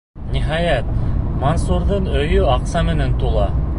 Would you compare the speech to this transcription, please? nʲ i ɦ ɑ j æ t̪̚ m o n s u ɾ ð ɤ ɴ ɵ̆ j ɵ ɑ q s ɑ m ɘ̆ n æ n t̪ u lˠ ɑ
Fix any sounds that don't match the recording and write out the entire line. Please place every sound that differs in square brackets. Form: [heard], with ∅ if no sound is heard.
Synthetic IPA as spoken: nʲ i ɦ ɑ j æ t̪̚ m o n s u ɾ ð ɤ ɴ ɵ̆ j ɵ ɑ q s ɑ m ɘ̆ n æ n t̪ u lˠ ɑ